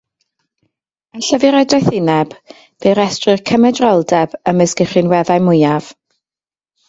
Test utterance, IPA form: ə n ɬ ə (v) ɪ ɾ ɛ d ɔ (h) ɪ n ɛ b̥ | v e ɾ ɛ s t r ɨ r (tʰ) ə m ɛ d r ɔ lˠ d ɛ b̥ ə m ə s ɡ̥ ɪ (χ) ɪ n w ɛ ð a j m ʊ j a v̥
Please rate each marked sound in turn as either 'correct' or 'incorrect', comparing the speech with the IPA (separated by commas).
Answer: correct, incorrect, incorrect, correct